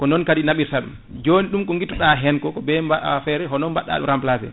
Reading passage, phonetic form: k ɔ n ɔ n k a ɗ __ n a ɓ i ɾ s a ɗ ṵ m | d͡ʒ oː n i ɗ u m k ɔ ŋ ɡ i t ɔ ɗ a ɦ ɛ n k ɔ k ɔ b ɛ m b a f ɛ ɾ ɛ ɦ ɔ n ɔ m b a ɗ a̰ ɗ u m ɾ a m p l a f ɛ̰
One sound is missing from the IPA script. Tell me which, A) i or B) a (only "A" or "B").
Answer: A